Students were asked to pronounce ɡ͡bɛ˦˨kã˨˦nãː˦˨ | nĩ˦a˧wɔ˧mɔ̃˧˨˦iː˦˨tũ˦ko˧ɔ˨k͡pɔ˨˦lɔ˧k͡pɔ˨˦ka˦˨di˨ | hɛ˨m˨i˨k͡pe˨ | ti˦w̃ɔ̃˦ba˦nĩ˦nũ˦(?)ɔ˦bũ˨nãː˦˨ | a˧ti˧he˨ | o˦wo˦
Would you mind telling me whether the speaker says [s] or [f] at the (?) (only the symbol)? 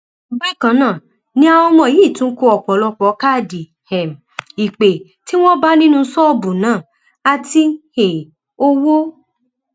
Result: s